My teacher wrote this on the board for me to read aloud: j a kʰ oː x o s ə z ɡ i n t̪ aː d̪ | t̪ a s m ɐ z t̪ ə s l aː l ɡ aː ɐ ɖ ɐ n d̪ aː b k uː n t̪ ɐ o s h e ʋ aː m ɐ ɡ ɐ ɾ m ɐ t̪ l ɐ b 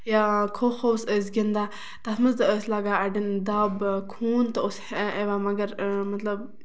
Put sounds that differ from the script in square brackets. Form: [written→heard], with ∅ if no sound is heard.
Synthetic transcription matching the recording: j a kʰ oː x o s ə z ɡ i n [t̪→d̪] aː [d̪→∅] | t̪ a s m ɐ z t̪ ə s l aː [l→∅] ɡ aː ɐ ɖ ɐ n d̪ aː b [k→kʰ] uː n t̪ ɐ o s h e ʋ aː m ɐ ɡ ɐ ɾ m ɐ t̪ l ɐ b